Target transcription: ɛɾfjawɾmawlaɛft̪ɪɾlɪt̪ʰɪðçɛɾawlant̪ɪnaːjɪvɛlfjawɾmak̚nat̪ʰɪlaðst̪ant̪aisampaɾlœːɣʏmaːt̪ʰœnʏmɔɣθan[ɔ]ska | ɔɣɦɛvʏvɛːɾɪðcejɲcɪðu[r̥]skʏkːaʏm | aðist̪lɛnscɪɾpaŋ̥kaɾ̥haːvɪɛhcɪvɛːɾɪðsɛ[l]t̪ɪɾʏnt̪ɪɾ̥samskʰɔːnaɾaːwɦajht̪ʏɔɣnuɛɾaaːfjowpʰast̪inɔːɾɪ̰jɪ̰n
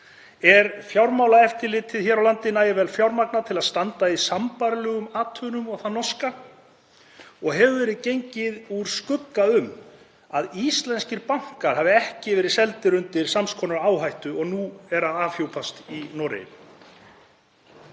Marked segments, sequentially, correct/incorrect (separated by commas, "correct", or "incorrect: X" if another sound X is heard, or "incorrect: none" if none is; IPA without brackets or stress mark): correct, incorrect: ɾ̥, correct